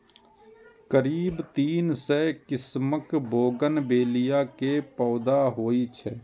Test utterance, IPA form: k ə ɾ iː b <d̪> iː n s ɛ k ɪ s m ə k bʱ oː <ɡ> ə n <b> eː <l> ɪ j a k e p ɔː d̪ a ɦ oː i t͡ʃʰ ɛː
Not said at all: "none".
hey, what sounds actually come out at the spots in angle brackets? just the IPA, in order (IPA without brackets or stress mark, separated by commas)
t̪, ɡ, b, l